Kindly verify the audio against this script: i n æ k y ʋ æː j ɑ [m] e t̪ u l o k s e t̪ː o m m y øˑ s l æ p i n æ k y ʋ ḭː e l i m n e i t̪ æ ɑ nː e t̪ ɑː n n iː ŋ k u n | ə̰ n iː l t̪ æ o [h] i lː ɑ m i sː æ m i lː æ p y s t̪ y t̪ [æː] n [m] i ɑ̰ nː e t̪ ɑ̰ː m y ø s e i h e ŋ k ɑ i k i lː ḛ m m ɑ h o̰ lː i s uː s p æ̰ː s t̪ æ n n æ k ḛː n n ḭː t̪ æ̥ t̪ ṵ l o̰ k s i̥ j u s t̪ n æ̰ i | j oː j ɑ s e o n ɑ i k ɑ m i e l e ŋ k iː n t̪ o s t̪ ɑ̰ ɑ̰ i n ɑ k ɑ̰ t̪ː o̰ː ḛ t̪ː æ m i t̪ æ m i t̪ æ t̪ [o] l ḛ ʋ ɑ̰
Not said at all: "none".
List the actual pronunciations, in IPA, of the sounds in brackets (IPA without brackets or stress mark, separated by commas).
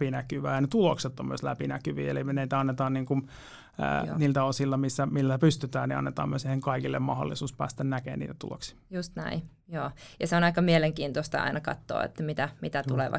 n, s, æː, n, u